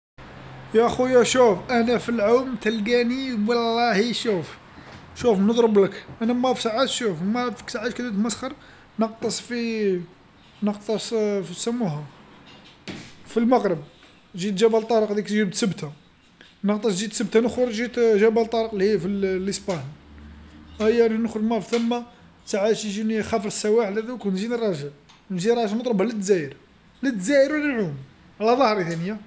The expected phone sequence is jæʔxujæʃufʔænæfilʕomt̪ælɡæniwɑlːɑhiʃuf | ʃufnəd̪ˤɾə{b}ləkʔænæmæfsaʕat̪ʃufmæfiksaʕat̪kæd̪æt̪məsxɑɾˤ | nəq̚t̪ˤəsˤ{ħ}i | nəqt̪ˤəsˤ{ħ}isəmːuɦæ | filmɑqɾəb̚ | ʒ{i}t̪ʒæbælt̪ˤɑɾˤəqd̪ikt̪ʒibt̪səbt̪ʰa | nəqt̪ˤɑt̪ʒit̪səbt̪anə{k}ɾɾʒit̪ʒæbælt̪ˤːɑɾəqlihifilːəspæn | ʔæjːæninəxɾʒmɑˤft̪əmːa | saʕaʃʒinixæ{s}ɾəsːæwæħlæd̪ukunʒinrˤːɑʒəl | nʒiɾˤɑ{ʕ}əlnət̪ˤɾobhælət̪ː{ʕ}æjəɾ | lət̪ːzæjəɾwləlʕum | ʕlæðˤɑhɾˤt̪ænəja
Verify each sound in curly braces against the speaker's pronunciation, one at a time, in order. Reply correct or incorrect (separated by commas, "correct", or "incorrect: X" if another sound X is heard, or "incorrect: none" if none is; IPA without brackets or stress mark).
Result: correct, incorrect: f, incorrect: f, correct, incorrect: x, incorrect: f, incorrect: ʒ, incorrect: z